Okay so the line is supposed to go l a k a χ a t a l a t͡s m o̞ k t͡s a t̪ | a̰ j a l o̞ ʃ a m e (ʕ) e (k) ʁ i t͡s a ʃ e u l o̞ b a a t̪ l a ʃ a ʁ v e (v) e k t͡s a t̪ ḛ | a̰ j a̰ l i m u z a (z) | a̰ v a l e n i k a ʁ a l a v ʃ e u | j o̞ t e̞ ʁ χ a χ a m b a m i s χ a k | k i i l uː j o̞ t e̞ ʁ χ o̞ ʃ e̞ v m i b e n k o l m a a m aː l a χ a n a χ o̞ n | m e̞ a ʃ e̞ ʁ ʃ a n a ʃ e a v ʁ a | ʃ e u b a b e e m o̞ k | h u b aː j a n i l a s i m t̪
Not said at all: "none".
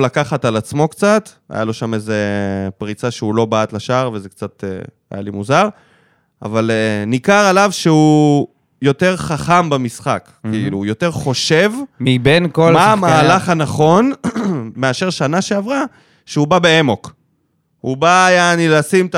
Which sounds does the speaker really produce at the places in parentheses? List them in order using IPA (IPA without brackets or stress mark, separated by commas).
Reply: z, p, z, ʁ